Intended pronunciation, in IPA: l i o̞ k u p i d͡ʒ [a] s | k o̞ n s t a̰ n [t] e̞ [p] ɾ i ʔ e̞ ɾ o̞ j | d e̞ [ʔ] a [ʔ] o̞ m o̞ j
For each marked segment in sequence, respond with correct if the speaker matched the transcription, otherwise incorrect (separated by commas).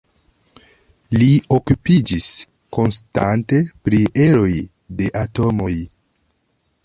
incorrect, correct, correct, correct, incorrect